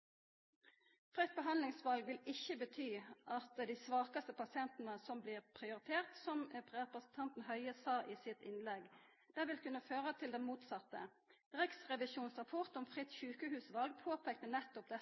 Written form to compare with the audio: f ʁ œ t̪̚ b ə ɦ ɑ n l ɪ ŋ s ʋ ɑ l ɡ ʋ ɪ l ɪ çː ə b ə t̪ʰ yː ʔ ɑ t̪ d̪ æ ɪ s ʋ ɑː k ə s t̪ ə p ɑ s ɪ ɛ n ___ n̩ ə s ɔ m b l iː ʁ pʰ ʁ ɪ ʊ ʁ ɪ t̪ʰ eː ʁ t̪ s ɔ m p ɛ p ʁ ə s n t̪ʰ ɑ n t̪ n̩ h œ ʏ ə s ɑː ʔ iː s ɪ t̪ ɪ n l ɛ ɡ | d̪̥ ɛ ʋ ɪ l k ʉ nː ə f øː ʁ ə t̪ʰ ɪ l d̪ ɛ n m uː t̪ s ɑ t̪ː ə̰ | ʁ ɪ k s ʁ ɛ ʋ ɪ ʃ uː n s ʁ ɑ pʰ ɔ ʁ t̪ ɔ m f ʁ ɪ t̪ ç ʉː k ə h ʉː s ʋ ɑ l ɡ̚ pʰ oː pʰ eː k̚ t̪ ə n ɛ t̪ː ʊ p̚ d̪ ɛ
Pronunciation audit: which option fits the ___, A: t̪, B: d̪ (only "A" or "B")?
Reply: A